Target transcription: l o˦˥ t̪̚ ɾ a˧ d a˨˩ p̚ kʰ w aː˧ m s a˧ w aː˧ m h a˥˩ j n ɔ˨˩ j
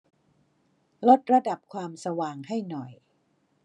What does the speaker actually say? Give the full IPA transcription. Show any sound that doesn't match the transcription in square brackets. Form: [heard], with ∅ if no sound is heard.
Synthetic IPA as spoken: l o˦˥ t̪̚ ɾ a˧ d a˨˩ p̚ kʰ w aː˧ m s a˧ w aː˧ [ŋ] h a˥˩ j n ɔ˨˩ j